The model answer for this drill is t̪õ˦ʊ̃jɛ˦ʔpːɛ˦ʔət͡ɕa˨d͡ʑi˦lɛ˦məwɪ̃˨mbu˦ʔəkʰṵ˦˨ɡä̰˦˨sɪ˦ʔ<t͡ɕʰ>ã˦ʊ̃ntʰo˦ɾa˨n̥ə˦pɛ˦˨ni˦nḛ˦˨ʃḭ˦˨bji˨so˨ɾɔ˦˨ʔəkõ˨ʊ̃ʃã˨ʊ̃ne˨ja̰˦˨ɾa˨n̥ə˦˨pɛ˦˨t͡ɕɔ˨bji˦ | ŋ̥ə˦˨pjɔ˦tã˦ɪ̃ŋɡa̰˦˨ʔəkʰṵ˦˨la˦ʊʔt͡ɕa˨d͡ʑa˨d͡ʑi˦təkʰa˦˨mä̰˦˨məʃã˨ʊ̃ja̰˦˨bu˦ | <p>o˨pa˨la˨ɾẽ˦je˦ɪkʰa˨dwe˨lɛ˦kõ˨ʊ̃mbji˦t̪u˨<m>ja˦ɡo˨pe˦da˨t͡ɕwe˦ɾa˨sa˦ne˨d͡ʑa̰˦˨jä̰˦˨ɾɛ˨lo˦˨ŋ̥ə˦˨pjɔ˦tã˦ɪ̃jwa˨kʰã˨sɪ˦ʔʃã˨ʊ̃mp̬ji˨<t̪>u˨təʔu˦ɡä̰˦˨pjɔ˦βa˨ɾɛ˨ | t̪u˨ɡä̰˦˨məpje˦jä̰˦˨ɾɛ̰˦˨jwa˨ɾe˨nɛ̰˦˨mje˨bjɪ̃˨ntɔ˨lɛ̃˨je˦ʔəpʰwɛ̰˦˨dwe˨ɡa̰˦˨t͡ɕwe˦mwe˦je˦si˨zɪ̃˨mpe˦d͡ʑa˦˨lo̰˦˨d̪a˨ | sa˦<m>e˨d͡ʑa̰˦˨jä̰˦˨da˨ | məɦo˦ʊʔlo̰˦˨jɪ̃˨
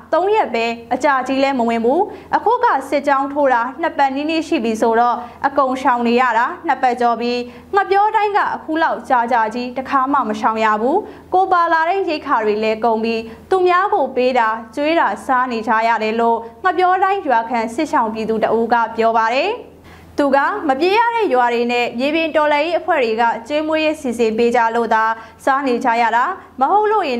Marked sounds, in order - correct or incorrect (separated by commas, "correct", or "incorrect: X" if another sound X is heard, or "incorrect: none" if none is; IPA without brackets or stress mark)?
incorrect: t͡ɕ, incorrect: k, correct, incorrect: d̪, incorrect: n